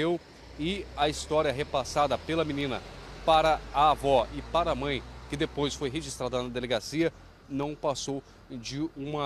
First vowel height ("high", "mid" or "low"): mid